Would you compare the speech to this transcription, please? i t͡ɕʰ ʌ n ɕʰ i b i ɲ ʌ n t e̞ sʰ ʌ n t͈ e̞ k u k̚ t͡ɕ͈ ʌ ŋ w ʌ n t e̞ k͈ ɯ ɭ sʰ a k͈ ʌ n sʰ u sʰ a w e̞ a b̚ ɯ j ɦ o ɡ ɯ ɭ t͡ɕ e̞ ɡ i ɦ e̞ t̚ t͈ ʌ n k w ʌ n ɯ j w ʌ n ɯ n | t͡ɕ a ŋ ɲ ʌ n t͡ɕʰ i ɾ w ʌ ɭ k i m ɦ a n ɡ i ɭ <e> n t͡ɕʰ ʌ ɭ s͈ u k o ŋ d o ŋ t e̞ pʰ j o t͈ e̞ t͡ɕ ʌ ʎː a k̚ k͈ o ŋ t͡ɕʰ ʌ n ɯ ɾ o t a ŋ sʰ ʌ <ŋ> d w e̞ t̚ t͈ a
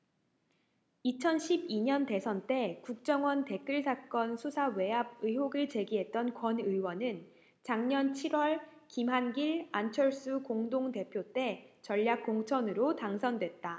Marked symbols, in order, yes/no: no, no

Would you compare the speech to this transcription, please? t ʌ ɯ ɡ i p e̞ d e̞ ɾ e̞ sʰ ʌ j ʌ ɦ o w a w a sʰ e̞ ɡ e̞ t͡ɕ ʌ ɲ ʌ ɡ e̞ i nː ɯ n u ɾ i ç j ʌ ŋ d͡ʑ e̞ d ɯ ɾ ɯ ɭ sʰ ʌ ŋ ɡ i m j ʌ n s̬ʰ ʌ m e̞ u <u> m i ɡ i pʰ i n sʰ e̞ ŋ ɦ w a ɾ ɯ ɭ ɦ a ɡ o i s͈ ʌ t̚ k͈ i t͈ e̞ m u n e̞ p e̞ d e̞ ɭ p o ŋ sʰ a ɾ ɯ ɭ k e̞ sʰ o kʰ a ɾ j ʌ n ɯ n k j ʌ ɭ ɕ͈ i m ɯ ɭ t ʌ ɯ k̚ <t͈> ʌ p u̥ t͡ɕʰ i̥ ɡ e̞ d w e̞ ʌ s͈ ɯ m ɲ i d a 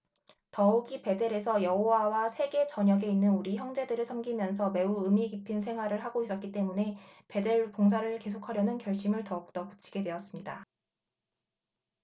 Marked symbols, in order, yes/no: no, yes

